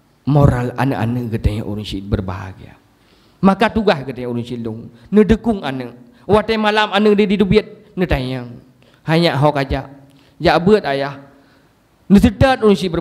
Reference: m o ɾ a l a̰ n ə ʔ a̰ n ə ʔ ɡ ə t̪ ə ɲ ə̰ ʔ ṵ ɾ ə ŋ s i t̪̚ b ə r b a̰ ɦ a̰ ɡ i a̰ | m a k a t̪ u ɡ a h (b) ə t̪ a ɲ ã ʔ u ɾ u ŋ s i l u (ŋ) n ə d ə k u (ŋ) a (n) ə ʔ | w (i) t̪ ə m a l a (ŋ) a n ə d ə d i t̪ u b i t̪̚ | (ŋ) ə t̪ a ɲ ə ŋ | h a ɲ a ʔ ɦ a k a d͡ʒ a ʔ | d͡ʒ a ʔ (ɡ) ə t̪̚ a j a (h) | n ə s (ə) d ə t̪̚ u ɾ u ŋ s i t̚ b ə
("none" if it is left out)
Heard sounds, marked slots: ɡ, ŋ, ŋ, n, a, m, n, b, h, ə

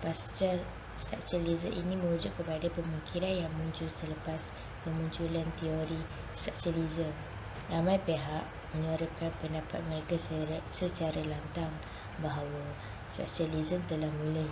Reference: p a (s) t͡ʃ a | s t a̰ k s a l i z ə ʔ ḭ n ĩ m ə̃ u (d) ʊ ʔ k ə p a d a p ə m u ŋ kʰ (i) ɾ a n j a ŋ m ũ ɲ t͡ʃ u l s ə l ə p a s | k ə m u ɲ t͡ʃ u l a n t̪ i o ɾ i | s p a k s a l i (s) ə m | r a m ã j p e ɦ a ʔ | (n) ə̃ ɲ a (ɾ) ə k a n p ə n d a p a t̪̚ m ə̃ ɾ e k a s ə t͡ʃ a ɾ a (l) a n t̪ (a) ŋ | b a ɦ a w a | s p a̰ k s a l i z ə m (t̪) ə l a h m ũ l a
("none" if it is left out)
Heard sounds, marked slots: s, d͡ʒ, i, z, m, ɾ, l, a, t̪

